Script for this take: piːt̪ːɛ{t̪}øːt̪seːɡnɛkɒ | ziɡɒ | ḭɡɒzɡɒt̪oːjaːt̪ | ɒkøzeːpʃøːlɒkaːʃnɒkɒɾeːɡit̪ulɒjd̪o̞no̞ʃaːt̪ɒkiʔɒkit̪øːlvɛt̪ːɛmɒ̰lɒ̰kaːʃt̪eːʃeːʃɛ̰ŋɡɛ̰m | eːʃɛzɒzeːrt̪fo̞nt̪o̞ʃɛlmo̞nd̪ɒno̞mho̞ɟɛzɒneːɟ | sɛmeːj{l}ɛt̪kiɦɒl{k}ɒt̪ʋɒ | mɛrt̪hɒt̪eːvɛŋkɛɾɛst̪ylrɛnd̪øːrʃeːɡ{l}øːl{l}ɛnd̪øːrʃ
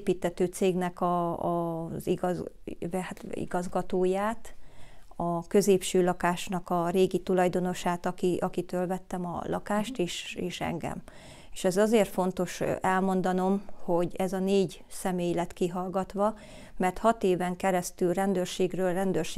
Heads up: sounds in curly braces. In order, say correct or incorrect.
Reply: correct, correct, incorrect: ɡ, incorrect: r, incorrect: r

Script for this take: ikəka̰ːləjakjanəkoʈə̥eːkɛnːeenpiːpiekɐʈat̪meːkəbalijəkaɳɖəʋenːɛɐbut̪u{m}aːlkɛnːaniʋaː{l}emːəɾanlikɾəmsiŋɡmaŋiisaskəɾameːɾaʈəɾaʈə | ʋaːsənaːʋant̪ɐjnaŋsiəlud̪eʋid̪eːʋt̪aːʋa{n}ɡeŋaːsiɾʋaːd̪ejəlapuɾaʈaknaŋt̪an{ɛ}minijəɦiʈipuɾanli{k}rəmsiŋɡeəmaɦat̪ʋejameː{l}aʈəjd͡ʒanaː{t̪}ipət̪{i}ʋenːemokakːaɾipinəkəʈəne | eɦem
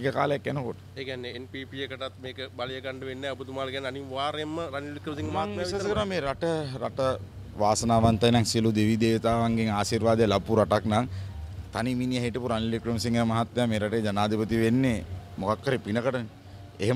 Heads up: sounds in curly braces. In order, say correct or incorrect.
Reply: correct, incorrect: ɾ, incorrect: ŋ, incorrect: i, correct, incorrect: ɾ, incorrect: d̪, correct

